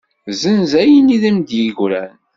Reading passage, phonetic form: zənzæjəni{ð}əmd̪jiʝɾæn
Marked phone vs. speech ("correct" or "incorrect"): correct